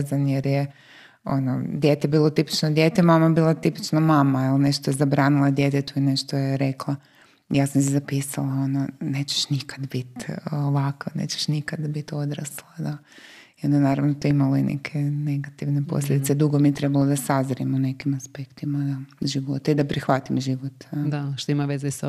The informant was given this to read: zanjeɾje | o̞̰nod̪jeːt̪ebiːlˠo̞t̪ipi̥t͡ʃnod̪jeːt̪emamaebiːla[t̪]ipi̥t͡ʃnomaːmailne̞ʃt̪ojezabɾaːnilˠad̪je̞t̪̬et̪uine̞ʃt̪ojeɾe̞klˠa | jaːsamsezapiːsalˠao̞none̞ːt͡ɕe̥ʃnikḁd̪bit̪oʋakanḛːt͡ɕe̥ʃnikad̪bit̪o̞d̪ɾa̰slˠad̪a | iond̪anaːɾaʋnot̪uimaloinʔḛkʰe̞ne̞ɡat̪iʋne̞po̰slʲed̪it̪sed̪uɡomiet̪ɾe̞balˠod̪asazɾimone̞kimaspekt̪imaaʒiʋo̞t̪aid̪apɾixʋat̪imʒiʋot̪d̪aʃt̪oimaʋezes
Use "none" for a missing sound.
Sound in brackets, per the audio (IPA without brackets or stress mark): t̪